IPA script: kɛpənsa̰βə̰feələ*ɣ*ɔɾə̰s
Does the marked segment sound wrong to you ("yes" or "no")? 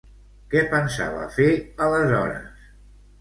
yes